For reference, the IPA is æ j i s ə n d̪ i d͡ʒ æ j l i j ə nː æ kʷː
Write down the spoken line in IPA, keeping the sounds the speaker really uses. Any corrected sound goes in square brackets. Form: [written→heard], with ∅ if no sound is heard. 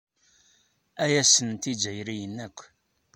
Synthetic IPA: æ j [i→æ] s ə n [d̪→t̪] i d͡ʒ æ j [l→ɾ] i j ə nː æ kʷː